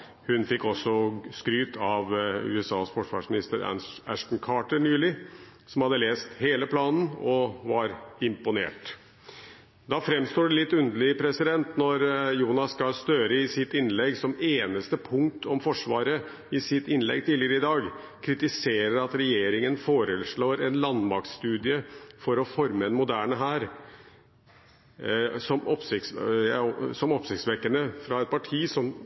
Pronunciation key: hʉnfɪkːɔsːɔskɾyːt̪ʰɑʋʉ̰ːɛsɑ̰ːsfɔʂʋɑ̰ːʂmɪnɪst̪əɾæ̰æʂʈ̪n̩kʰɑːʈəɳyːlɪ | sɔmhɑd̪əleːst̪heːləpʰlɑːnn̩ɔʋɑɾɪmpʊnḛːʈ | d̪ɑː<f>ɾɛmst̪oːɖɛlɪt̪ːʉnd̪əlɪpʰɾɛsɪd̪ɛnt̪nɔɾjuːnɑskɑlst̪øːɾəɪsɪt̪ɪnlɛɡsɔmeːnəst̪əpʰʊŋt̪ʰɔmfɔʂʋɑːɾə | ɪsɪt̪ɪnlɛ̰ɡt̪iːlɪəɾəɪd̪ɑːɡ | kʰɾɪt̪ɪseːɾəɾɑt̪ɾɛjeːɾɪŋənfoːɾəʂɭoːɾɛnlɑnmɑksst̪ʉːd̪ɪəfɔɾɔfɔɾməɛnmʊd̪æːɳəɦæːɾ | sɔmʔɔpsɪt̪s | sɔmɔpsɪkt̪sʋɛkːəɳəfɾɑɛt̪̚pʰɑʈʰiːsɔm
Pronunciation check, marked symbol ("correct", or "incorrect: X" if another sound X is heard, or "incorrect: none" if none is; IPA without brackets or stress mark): correct